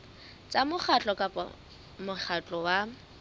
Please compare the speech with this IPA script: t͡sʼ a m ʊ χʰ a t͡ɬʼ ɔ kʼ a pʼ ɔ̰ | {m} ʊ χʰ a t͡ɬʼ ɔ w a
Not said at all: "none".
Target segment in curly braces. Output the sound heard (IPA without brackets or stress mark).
m